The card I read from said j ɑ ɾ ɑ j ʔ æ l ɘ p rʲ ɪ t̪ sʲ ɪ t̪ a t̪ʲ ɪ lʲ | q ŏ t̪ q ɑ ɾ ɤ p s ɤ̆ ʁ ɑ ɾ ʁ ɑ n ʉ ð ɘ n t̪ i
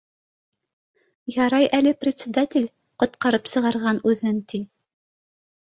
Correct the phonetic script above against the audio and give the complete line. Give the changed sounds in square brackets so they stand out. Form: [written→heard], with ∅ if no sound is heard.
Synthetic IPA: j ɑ ɾ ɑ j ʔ æ l ɘ p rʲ ɪ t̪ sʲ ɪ [t̪→d̪] a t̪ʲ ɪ lʲ | q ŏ t̪ q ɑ ɾ ɤ p s ɤ̆ ʁ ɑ ɾ ʁ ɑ n ʉ ð ɘ n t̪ i